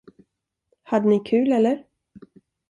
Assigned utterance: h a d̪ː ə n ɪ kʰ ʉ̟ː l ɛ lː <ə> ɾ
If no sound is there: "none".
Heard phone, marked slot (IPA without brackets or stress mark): ə